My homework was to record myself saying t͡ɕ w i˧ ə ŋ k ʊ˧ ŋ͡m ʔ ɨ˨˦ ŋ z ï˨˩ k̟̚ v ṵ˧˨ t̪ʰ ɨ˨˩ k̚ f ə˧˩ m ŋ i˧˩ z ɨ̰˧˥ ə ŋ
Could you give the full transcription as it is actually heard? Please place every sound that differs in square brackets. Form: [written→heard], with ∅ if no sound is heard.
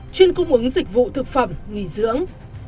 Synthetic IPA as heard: t͡ɕ w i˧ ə [ŋ→n] k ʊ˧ ŋ͡m ʔ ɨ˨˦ ŋ z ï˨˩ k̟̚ v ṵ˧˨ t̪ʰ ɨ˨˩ k̚ f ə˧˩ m ŋ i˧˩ z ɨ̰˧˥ ə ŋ